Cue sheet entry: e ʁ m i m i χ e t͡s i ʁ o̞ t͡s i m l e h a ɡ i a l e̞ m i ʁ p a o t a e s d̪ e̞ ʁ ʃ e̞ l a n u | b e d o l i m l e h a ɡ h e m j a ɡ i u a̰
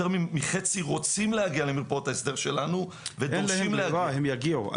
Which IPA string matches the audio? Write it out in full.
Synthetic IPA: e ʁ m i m i χ e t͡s i ʁ o̞ t͡s i m l e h a ɡ i a l e̞ m i ʁ p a o t a e s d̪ e̞ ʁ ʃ e̞ l a n u | v e d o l i m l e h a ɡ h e m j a ɡ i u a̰